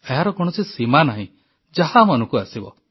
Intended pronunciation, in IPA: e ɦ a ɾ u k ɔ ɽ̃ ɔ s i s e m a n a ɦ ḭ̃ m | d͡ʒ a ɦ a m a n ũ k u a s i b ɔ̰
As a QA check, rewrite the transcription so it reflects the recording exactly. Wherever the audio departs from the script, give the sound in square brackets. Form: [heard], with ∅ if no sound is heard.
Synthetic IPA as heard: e ɦ a ɾ [ɔ] k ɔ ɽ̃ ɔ s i s [i] m a n a ɦ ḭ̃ [∅] | d͡ʒ a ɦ a m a n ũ k u a s i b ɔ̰